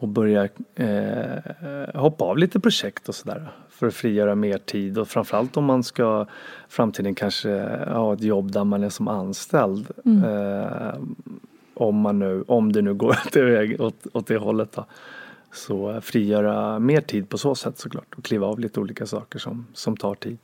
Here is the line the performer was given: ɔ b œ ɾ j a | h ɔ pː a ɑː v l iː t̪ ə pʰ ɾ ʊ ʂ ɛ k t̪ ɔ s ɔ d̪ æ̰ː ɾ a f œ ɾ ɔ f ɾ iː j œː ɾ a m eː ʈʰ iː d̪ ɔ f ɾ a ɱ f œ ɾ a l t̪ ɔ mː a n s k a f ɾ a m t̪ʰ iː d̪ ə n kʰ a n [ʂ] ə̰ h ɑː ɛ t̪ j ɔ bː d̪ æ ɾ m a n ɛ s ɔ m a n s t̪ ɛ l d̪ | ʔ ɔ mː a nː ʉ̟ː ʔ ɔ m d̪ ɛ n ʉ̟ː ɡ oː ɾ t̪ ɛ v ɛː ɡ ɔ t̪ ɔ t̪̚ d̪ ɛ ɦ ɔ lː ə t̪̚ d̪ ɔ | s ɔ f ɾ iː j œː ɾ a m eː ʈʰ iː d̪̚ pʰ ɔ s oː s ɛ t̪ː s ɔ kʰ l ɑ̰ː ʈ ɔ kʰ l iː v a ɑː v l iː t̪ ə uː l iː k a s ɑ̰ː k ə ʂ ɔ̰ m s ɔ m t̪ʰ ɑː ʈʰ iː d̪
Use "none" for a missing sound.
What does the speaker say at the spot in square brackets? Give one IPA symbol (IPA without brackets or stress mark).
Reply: ʂ